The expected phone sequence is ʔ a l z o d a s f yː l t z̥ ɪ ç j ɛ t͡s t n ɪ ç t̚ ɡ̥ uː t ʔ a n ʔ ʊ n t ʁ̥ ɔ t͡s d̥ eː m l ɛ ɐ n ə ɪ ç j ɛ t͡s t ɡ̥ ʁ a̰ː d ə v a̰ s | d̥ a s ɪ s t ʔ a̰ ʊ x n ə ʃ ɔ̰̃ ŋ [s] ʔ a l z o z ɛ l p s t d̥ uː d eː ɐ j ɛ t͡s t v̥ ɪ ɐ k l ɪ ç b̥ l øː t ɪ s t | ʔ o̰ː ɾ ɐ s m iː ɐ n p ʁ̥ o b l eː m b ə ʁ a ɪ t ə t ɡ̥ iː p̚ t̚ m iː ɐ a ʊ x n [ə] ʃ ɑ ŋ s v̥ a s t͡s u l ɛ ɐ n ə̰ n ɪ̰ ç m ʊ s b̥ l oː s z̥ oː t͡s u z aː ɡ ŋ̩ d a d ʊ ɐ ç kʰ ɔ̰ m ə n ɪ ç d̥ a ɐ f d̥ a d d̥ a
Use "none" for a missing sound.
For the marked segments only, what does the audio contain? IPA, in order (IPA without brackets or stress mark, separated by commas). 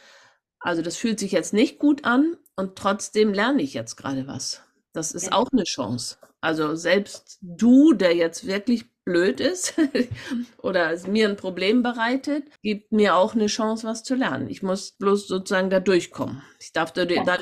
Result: s, ə